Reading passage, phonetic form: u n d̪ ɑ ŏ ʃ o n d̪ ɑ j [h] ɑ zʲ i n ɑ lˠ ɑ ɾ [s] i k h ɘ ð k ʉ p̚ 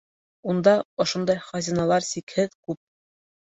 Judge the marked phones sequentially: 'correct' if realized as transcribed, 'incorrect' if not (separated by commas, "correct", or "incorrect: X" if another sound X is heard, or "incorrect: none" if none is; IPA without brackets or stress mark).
incorrect: χ, correct